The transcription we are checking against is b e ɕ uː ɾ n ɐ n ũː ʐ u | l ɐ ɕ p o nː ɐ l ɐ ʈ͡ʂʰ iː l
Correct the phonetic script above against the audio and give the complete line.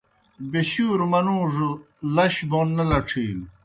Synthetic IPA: b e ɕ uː ɾ m ɐ n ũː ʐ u | l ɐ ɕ b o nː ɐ l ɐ ʈ͡ʂʰ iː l